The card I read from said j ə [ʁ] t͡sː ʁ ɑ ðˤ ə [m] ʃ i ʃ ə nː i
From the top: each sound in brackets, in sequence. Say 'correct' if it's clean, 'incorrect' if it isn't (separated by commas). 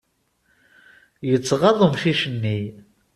incorrect, correct